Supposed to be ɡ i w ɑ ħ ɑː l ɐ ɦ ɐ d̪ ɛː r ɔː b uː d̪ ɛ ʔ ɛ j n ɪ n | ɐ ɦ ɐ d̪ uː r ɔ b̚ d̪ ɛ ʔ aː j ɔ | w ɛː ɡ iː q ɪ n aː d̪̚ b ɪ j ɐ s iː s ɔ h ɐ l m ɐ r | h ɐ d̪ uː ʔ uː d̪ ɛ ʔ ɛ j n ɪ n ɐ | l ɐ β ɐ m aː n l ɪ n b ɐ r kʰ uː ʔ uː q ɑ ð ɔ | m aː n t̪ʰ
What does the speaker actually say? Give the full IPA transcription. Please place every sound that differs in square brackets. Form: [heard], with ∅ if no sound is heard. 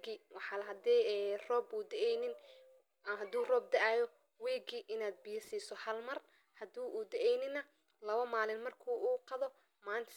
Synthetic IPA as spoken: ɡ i w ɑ ħ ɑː l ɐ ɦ ɐ d̪ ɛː r ɔː b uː d̪ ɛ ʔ ɛ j n ɪ n | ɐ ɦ ɐ d̪ uː r [ɔː] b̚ d̪ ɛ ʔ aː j ɔ | w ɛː ɡ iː [ʔ] ɪ n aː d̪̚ b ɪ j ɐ s iː s ɔ h ɐ l m ɐ r | h ɐ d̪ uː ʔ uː d̪ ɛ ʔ ɛ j n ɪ n ɐ | l ɐ β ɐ m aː [∅] l ɪ n [m] ɐ r kʰ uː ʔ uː q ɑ ð ɔ | m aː n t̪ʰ